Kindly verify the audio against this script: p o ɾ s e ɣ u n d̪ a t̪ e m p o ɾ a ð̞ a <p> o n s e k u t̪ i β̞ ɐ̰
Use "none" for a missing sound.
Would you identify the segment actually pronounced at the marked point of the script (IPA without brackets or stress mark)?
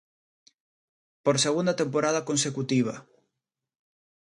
k